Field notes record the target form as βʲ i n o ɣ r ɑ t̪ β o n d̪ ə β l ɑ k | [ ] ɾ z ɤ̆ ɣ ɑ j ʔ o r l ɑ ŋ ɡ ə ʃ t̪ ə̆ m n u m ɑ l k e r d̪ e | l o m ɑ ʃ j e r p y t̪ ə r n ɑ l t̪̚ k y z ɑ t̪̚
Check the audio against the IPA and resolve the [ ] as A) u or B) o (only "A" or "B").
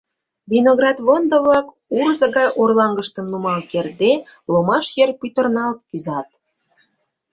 A